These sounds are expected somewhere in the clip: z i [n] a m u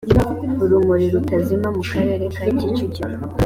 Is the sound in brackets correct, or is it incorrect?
incorrect